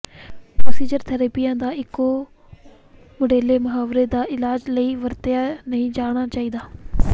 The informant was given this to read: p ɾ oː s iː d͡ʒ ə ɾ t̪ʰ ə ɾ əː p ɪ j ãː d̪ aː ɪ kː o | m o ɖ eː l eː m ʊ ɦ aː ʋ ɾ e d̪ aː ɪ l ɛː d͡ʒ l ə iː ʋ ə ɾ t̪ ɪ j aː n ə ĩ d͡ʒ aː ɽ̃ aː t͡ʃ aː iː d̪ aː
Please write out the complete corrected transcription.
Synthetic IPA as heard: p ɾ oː s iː d͡ʒ ə ɾ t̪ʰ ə ɾ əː p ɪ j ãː d̪ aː ɪ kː o | m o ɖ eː l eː m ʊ ɦ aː ʋ ɾ e d̪ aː ɪ l aː d͡ʒ l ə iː ʋ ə ɾ t̪ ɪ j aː n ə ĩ d͡ʒ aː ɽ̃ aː t͡ʃ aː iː d̪ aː